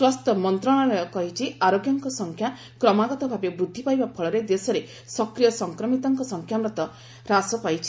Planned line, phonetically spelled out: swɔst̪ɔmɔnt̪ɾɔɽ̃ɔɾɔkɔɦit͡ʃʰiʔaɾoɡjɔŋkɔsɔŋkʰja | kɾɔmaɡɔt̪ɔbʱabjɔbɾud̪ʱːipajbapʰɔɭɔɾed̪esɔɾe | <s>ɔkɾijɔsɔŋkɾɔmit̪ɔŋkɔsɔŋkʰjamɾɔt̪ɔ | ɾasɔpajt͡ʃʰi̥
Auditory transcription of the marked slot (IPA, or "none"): s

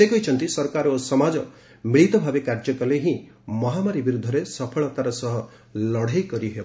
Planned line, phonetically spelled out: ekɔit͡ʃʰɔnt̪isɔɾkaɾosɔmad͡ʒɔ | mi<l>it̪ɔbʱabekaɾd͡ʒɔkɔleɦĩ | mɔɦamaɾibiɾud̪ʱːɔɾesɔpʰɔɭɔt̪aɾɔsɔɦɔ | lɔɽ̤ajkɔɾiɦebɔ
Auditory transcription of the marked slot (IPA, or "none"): ɭ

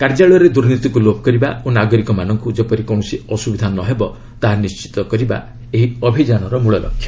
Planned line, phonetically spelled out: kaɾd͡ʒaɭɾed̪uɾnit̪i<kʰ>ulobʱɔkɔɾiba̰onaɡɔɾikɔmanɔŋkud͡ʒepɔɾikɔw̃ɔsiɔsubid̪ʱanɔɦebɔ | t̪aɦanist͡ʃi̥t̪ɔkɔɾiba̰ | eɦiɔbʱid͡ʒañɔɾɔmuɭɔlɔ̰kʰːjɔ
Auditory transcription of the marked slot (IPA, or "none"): k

